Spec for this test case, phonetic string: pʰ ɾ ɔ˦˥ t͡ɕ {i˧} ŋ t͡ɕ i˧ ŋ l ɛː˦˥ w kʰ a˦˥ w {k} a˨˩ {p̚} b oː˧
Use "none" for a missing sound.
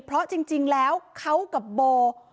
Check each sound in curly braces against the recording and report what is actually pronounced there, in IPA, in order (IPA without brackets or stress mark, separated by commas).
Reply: i˧, k, p̚